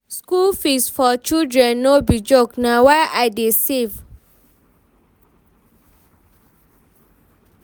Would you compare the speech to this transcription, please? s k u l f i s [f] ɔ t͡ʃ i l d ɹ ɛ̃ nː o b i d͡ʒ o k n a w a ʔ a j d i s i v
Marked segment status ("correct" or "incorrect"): correct